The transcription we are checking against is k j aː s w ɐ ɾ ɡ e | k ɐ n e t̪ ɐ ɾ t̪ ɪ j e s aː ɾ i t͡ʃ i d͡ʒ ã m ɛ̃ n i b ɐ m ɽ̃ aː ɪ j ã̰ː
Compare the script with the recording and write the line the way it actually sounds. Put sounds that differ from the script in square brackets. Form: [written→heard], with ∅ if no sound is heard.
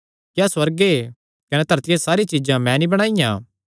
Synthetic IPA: k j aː s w ɐ ɾ ɡ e | k ɐ n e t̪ ɐ ɾ t̪ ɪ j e s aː ɾ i t͡ʃ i d͡ʒ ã m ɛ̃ n i b ɐ [m→∅] ɽ̃ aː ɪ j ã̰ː